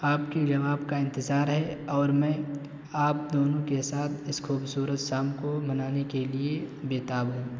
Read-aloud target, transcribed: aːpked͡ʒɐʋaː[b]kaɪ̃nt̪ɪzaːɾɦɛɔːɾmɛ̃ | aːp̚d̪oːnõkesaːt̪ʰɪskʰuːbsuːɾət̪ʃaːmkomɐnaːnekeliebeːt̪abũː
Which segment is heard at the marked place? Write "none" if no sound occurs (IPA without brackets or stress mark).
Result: b